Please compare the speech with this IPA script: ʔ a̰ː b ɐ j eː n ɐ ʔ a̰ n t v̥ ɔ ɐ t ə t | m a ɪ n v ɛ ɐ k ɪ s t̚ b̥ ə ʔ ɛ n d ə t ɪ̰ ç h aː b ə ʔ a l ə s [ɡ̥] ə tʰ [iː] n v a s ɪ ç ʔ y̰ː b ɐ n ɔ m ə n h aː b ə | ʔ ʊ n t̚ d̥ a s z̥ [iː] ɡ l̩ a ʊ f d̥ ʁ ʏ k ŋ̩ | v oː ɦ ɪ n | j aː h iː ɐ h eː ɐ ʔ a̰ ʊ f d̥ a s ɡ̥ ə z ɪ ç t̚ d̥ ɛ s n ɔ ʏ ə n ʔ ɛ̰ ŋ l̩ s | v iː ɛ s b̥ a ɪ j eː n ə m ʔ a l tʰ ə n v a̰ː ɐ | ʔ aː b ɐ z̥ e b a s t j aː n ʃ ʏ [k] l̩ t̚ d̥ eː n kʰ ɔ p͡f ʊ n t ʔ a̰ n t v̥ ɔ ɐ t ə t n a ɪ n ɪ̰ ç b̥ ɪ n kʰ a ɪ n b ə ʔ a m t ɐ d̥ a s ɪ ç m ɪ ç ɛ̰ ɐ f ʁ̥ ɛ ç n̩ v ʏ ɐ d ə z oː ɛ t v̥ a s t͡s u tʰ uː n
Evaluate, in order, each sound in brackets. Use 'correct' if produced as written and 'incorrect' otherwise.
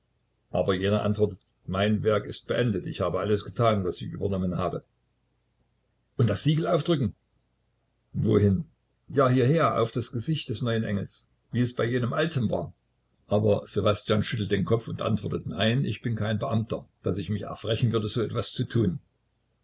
correct, incorrect: aː, correct, incorrect: t

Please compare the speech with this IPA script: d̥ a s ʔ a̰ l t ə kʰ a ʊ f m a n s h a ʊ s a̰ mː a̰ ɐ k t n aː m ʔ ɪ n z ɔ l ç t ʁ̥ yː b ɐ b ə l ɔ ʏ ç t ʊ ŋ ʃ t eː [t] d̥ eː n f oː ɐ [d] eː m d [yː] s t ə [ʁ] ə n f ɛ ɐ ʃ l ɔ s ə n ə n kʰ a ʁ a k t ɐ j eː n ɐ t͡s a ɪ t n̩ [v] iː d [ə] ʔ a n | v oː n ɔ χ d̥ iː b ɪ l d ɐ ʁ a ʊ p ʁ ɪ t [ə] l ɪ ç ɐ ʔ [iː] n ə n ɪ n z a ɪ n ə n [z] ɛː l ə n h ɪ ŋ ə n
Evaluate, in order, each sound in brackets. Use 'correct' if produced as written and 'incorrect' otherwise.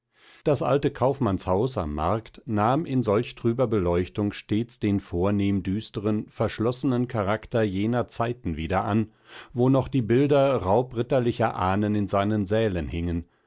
incorrect: t͡s, incorrect: n, correct, correct, correct, incorrect: ɐ, incorrect: ɐ, incorrect: aː, correct

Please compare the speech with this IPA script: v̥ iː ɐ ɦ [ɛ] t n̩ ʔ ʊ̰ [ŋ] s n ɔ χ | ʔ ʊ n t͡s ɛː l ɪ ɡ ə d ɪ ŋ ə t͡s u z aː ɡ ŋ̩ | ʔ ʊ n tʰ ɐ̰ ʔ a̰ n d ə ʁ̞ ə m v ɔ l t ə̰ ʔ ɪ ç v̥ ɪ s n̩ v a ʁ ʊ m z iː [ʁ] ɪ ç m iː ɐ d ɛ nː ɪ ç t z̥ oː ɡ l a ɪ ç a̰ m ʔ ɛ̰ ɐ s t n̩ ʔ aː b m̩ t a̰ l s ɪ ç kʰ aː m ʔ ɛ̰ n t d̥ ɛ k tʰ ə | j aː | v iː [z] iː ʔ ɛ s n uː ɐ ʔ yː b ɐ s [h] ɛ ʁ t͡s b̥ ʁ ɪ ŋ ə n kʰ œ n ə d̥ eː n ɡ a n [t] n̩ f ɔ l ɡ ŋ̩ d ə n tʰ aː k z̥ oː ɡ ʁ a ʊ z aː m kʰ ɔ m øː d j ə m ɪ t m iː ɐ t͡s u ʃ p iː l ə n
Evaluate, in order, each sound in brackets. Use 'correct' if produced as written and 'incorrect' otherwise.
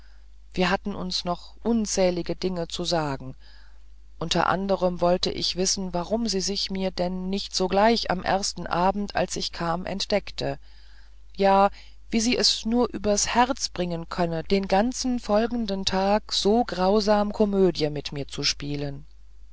incorrect: a, incorrect: n, incorrect: z, correct, correct, incorrect: t͡s

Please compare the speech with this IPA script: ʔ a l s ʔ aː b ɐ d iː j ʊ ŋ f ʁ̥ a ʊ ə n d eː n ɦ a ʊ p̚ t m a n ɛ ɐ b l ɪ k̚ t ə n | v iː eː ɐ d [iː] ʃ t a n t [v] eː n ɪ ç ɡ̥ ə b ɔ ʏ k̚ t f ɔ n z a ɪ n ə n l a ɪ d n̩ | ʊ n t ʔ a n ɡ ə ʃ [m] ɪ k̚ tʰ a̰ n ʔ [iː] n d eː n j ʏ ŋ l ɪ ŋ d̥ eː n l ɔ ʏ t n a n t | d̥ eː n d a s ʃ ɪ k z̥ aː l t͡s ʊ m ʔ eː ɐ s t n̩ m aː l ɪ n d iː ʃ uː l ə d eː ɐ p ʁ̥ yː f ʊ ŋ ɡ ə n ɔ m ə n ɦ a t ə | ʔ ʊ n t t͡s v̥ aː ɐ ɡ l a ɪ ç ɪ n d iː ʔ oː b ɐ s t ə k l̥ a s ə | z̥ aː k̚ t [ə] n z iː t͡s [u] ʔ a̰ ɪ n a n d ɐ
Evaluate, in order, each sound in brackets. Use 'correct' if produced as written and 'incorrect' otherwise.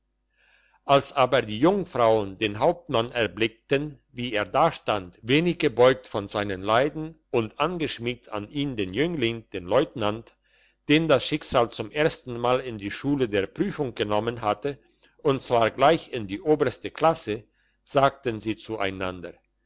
incorrect: aː, correct, correct, correct, correct, correct

